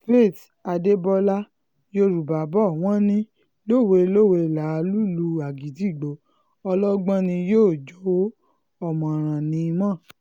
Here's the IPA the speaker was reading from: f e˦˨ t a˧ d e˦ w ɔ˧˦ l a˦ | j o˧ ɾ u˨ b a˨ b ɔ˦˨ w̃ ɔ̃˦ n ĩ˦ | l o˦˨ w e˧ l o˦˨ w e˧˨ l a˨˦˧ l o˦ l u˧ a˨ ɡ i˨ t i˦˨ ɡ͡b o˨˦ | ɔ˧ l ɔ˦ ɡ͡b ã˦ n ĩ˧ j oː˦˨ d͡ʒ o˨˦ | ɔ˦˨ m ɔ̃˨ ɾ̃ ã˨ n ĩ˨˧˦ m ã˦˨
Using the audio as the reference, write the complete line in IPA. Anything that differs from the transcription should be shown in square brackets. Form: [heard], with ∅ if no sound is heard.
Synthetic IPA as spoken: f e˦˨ t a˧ d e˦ [b] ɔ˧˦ l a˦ | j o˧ ɾ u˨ b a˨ b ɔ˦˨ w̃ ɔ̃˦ n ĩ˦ | l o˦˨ w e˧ l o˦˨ w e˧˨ l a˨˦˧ l [u˦] l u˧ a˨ ɡ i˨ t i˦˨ ɡ͡b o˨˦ | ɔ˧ l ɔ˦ ɡ͡b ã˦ n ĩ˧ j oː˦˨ d͡ʒ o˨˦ | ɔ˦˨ m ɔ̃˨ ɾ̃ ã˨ n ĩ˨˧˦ m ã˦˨